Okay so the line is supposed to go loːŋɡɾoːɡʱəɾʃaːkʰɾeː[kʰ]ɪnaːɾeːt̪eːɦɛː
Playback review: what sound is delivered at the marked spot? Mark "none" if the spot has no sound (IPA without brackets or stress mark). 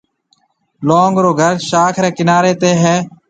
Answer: k